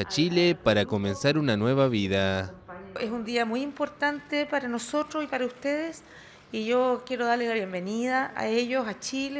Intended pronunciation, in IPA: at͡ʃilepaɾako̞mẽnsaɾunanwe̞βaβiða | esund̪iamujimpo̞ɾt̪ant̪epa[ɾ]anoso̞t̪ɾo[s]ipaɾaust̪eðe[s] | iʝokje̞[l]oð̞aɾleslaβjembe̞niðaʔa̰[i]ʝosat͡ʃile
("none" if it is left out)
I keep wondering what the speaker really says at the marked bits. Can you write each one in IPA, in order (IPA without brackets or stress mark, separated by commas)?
ɾ, s, s, ɾ, e